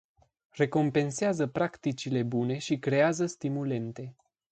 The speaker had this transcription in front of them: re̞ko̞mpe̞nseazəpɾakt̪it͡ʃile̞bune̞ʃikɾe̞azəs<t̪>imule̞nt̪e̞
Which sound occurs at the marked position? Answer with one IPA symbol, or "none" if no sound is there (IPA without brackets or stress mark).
t̪